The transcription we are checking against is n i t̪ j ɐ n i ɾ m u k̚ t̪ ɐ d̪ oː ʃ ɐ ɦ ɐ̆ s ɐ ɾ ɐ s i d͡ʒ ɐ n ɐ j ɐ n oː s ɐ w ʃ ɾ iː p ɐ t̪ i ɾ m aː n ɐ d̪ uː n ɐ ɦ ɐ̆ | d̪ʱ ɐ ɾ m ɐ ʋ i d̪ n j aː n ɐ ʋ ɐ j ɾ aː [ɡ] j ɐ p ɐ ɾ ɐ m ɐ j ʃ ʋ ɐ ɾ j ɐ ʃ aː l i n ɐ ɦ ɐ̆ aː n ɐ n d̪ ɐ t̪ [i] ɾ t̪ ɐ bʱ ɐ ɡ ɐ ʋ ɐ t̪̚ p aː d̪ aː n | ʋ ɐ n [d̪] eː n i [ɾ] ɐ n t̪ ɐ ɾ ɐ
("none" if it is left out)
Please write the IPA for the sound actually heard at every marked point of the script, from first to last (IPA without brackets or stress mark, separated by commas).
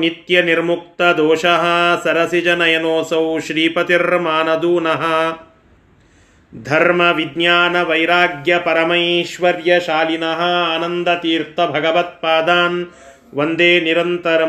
ɡ, iː, d̪, ɾ